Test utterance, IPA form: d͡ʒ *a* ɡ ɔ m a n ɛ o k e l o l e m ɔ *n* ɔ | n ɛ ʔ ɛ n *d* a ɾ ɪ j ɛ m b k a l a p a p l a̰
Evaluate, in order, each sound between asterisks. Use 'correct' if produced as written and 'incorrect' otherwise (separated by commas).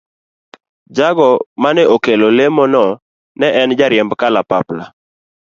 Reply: correct, correct, incorrect